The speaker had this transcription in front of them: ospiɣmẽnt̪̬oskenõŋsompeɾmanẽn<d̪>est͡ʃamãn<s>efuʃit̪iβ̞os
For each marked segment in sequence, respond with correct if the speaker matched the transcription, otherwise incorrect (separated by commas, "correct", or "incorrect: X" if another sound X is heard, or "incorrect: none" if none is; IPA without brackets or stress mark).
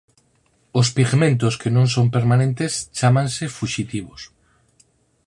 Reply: incorrect: t̪, correct